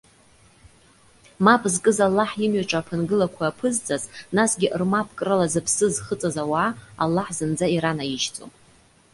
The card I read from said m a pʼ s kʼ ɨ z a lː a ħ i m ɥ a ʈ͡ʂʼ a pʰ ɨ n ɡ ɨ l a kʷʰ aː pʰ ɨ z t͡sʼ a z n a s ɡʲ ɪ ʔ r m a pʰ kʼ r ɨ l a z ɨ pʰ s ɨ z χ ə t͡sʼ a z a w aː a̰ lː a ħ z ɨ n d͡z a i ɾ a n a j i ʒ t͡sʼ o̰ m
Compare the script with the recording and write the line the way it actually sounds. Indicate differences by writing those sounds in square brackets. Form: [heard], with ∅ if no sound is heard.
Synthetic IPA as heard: m a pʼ [z] kʼ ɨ z a lː a ħ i m ɥ a ʈ͡ʂʼ a pʰ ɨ n ɡ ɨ l a kʷʰ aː pʰ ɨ z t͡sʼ a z n a s ɡʲ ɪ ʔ r m a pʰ kʼ r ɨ l a z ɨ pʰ s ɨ z χ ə t͡sʼ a z a w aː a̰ lː a ħ z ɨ n d͡z a i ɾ a n a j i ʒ t͡sʼ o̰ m